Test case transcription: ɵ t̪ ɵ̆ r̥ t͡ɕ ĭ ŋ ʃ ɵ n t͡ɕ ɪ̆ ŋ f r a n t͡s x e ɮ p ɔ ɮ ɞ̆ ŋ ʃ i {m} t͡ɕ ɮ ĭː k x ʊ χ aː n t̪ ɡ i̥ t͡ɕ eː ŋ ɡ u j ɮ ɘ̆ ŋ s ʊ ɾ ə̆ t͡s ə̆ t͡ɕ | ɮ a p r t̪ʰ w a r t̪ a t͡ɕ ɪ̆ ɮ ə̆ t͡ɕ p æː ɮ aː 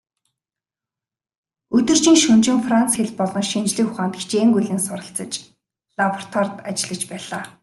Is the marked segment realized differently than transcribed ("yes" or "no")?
yes